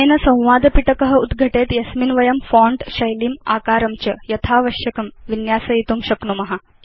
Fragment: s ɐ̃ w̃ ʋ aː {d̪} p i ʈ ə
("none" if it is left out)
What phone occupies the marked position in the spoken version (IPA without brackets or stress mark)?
d̪